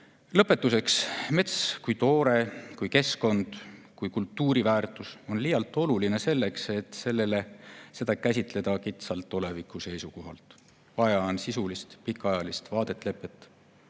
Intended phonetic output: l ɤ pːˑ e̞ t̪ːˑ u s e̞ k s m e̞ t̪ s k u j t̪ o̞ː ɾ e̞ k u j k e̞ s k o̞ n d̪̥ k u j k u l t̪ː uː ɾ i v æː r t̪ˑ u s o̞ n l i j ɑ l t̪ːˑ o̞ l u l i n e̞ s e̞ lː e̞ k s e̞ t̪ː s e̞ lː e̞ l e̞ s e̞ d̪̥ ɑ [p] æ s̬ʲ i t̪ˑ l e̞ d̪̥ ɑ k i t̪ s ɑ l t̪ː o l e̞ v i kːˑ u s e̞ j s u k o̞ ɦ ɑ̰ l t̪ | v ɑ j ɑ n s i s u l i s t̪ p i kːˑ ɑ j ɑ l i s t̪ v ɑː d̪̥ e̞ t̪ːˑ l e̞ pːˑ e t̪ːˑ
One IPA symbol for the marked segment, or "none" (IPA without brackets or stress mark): k